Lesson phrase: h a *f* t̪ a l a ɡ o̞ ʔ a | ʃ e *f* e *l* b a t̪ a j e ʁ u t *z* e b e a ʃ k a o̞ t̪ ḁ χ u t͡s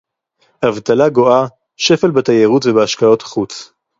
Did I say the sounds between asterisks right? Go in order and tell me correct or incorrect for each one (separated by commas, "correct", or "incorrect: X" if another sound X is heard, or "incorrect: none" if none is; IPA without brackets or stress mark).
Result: incorrect: v, correct, correct, incorrect: v